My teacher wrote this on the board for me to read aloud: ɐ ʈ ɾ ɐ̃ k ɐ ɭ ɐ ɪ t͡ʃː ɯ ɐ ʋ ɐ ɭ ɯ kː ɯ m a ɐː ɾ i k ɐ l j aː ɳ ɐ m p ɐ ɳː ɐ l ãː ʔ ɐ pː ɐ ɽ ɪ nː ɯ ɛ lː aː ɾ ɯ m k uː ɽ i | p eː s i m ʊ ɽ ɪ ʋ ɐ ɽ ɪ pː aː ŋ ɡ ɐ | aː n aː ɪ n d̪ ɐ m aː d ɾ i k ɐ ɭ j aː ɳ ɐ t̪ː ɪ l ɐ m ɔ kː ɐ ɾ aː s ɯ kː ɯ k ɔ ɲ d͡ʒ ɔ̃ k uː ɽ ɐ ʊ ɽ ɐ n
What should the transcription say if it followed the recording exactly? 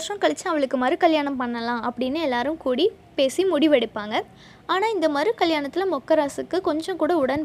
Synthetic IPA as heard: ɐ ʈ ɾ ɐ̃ k ɐ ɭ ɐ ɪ t͡ʃː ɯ ɐ ʋ ɐ ɭ ɯ kː ɯ m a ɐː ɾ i k ɐ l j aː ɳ ɐ m p ɐ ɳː ɐ l ãː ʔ ɐ pː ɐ ɽ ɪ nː ɯ ɛ lː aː ɾ ɯ m k uː ɽ i | p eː s i m ʊ ɽ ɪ ʋ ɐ ɽ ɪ pː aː ŋ ɡ ɐ | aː n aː ɪ n d̪ ɐ m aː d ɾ i k ɐ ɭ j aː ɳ ɐ t̪ː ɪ l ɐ m ɔ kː ɐ ɾ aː s ɯ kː ɯ k ɔ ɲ d͡ʒ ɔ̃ k uː ɽ ɐ ʊ ɽ ɐ n